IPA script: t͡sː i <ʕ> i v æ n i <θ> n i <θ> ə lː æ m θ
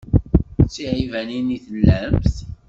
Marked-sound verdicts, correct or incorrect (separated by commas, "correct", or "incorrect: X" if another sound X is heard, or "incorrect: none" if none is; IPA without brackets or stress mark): correct, incorrect: none, correct